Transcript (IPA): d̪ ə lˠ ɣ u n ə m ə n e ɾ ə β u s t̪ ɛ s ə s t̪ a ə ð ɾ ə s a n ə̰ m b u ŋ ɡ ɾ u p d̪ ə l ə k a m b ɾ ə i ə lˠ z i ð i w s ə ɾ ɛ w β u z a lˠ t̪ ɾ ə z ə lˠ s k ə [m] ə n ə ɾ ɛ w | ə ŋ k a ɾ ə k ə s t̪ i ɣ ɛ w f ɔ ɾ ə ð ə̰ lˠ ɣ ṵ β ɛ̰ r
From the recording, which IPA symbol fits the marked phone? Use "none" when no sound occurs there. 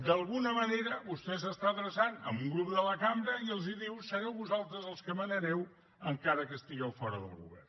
m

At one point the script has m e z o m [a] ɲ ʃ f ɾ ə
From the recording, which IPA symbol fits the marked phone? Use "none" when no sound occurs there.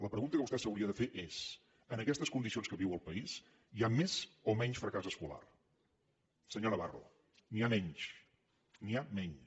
ɛ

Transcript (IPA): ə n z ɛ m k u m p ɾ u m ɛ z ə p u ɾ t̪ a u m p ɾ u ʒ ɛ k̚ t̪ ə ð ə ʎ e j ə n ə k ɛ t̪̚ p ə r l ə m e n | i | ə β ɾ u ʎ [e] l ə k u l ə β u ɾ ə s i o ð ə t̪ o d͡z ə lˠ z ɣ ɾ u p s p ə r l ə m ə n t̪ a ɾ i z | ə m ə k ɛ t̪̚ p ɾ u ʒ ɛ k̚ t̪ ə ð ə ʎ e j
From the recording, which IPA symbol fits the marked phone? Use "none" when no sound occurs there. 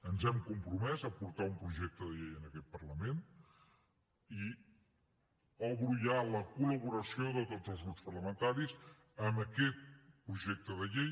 a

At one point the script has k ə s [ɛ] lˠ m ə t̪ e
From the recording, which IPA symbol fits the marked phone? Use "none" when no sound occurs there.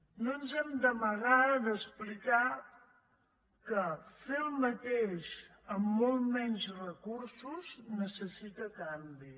e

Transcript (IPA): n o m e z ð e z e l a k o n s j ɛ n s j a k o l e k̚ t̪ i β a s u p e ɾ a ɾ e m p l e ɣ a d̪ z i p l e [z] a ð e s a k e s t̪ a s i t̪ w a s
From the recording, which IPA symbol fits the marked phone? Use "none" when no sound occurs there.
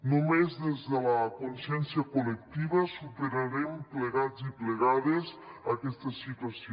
ɣ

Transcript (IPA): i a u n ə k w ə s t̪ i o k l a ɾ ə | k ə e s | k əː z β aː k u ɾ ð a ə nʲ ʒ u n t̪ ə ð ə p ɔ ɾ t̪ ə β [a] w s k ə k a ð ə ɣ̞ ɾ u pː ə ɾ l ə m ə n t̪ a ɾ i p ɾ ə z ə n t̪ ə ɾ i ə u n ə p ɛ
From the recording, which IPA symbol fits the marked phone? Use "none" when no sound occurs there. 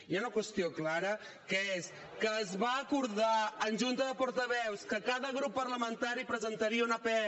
ɛ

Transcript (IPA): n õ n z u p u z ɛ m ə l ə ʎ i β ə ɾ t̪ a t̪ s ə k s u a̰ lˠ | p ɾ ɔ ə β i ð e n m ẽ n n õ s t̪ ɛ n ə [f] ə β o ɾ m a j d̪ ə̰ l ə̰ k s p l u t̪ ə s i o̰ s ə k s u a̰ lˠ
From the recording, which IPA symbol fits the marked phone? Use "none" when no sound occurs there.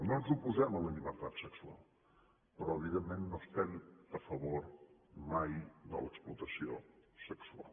f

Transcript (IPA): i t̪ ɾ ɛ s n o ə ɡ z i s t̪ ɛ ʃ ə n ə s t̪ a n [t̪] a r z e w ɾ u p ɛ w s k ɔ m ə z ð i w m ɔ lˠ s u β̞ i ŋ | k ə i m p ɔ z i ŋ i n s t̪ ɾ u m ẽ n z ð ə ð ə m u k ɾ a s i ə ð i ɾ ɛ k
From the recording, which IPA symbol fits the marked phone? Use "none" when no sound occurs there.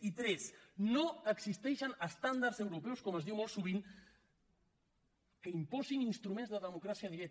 d̪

